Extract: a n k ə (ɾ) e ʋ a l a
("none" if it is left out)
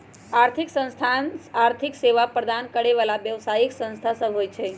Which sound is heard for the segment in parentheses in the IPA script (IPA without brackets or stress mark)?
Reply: ɽ